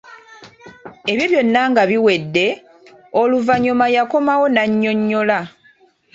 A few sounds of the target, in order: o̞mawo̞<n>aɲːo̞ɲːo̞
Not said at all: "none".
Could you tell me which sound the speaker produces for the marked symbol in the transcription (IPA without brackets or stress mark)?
n